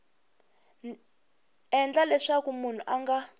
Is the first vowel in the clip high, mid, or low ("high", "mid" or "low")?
mid